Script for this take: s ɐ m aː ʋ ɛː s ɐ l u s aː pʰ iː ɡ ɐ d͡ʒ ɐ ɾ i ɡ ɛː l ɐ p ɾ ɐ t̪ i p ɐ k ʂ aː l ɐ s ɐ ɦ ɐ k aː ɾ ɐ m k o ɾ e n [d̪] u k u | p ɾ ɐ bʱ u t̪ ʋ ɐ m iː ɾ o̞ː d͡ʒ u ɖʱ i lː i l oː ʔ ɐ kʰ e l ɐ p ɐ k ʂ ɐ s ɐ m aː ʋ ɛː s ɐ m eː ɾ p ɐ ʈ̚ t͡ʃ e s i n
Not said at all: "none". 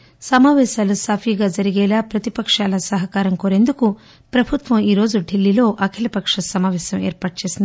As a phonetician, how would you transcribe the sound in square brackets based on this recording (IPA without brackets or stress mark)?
d̪